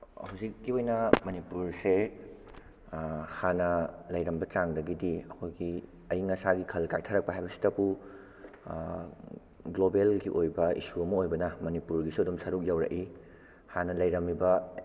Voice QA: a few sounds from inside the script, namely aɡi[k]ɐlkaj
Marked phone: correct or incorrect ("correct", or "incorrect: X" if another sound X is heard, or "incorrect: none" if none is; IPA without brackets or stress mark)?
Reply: incorrect: kʰ